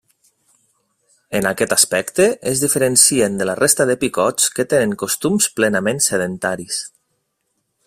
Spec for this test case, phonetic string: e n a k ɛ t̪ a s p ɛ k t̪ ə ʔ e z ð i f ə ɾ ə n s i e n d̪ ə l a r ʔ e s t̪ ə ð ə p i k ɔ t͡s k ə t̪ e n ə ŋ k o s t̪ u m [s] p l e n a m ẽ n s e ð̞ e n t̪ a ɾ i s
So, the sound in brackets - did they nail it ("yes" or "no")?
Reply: yes